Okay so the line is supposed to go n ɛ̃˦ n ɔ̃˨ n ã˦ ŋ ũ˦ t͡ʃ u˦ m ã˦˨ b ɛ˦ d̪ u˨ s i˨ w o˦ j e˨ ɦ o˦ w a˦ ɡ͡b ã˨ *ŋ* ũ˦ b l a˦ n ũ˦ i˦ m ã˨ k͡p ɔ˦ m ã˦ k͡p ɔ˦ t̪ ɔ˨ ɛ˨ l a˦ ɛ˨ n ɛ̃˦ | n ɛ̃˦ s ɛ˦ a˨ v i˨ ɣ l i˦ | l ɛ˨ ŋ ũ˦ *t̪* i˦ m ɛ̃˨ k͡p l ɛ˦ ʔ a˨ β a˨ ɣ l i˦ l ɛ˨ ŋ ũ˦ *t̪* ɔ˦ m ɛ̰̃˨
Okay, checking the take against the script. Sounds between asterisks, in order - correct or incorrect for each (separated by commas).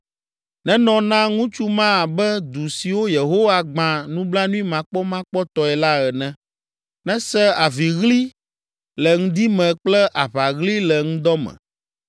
incorrect, incorrect, incorrect